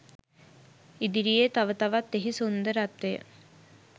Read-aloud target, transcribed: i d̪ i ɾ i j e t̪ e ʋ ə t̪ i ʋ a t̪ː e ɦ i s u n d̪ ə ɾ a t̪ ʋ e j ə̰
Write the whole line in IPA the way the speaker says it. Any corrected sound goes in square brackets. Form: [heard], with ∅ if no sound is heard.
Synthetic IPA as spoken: i d̪ i ɾ i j e t̪ [a] ʋ ə t̪ [a] ʋ a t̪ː e ɦ i s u n d̪ ə ɾ a t̪ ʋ e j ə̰